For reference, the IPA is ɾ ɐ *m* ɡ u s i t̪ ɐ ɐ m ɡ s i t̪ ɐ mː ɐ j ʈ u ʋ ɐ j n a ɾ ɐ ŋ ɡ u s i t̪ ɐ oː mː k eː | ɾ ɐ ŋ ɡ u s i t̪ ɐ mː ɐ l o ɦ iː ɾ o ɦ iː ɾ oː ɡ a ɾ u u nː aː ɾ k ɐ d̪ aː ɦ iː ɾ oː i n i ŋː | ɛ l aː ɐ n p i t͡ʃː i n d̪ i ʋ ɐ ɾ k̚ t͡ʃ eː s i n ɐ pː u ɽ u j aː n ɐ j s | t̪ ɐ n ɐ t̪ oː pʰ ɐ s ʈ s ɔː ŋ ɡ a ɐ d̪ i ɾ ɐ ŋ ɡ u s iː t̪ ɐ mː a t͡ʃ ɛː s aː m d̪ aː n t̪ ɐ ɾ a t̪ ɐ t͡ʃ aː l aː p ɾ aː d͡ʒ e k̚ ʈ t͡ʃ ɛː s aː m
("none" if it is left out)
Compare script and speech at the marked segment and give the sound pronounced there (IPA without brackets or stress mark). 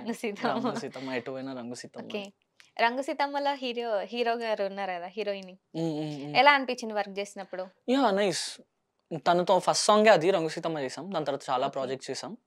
ŋ